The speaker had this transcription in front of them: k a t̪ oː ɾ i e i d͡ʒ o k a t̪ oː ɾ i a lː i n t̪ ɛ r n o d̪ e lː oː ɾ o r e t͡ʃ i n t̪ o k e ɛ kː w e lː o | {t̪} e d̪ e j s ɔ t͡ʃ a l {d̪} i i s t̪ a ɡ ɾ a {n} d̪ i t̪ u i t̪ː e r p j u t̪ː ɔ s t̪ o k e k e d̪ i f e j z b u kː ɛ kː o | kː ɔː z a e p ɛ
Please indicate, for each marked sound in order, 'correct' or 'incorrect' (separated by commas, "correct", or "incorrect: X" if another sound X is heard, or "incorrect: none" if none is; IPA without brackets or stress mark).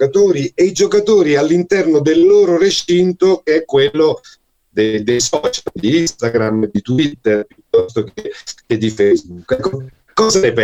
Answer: incorrect: d̪, correct, incorrect: m